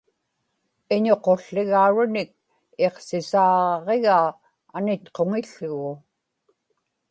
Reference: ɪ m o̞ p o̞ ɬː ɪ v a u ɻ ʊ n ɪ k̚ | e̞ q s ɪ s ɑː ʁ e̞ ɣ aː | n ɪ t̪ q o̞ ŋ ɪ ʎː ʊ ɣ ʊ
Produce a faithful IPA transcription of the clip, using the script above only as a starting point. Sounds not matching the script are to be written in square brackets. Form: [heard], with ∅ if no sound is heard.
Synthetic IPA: ɪ [ɲ] o̞ [q] o̞ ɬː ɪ [ɣ] a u ɻ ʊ n ɪ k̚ | e̞ q s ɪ s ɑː ʁ e̞ ɣ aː | n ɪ t̪ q o̞ ŋ ɪ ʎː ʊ ɣ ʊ